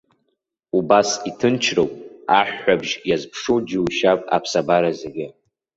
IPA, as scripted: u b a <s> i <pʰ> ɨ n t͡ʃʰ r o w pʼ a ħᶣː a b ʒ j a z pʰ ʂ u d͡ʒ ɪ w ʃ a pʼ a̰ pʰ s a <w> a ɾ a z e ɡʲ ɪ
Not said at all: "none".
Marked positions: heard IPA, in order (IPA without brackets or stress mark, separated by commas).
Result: s, tʰ, b